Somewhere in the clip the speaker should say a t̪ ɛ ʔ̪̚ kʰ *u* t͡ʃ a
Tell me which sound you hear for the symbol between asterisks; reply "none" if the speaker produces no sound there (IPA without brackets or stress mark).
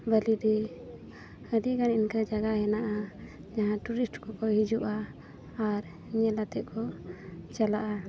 ɔ